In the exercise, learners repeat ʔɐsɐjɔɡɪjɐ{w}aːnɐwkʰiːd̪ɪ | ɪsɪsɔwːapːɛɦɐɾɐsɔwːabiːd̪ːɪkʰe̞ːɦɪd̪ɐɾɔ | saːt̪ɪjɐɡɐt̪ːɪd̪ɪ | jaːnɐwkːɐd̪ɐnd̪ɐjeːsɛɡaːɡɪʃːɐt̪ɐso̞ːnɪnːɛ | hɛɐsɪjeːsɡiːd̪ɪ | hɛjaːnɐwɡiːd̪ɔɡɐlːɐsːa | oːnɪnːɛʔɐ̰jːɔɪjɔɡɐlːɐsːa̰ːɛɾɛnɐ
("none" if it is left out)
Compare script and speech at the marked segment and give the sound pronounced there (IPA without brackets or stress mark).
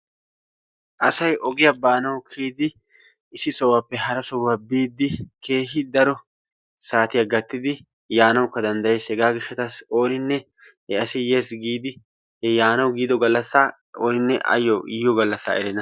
b